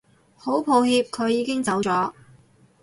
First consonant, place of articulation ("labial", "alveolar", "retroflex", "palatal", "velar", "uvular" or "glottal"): glottal